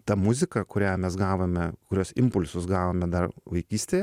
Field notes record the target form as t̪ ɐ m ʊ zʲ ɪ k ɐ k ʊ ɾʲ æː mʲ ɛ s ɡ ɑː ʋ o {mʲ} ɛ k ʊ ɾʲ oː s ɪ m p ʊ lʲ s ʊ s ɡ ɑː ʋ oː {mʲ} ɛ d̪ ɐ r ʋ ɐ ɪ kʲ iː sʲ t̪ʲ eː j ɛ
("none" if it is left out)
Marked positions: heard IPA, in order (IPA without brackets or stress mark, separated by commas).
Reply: mʲ, mʲ